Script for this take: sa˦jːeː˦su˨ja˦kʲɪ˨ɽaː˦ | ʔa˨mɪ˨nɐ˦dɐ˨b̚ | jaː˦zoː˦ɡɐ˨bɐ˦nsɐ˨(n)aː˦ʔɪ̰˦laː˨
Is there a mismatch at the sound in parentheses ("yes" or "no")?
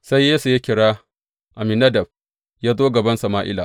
yes